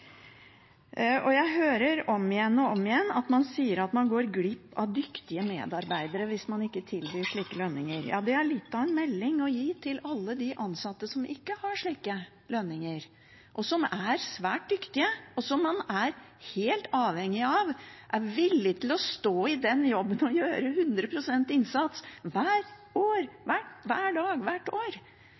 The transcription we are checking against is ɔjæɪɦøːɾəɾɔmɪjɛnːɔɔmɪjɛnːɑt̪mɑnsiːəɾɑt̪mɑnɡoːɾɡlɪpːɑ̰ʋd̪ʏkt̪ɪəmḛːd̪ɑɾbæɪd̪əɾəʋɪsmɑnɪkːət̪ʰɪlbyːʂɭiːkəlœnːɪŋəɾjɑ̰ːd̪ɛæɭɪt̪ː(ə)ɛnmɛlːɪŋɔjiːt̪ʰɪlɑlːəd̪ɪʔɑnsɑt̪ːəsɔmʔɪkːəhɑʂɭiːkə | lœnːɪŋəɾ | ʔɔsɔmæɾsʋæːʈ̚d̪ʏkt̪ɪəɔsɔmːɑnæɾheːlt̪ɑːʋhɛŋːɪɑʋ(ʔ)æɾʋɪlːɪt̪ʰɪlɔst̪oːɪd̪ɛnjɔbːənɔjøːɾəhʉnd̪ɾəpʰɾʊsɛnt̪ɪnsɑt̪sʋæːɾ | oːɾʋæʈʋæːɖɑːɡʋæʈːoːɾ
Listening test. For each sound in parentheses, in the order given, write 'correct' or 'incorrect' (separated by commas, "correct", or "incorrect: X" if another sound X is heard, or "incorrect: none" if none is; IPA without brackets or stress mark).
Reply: incorrect: ɑ, correct